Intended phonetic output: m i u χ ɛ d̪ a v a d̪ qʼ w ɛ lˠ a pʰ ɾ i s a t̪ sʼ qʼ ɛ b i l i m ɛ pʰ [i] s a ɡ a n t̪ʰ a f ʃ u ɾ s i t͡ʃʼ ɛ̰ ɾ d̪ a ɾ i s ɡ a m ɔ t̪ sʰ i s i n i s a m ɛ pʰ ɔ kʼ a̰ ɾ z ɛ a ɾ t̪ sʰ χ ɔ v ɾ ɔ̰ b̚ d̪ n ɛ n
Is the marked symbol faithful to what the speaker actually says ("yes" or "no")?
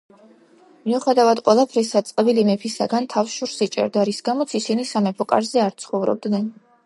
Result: yes